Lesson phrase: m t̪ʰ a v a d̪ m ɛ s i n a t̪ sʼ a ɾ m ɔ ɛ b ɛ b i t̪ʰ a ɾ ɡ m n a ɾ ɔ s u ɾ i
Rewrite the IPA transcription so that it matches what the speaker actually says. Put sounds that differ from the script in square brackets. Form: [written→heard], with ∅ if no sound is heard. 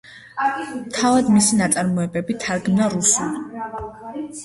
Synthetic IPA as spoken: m t̪ʰ a v a d̪ m [ɛ→i] s i n a t̪ sʼ a ɾ m ɔ ɛ b ɛ b i t̪ʰ a ɾ ɡ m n a ɾ [ɔ→u] s u [ɾ→l] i